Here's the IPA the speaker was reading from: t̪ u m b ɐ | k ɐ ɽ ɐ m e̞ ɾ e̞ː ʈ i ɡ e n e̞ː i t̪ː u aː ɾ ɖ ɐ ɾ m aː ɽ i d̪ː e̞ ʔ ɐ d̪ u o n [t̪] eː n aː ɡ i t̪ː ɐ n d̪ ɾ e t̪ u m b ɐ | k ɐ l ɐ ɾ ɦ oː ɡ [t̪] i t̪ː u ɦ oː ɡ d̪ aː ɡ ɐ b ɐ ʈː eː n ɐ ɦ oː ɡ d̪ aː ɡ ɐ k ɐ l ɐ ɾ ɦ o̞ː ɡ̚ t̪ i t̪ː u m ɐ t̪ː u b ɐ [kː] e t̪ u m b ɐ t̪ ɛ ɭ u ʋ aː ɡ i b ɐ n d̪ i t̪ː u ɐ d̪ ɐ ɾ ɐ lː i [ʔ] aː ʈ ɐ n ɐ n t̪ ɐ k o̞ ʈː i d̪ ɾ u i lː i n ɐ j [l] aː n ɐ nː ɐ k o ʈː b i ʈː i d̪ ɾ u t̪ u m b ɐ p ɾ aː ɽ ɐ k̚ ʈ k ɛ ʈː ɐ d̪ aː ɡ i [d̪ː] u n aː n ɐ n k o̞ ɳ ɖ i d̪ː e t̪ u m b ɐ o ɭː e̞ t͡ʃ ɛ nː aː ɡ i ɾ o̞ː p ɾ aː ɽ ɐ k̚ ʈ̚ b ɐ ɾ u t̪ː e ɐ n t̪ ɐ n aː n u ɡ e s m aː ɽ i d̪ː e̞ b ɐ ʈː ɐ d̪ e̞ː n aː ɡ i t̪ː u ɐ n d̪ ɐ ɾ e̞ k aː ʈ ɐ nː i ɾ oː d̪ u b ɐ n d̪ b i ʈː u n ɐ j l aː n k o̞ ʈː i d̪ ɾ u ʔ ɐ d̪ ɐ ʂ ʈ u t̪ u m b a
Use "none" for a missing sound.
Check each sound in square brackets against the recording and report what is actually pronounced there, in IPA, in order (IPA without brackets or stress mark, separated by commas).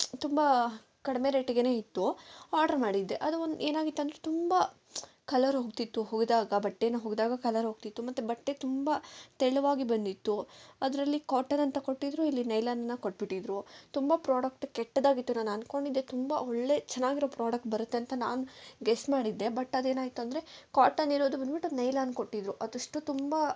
d̪, t̪, ʈː, k, l, t̪ː